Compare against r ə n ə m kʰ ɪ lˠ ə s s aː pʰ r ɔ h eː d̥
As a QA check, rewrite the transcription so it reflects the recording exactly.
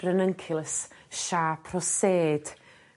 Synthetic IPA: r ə n ə ŋ kʰ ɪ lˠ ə s ʃ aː pʰ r ɔ s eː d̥